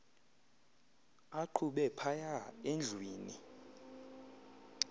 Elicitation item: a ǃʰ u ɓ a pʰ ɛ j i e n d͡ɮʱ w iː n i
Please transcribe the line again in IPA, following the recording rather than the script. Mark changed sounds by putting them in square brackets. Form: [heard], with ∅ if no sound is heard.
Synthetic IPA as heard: a ǃʰ u ɓ [ɛ] pʰ [a] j [a] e n d͡ɮʱ w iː n i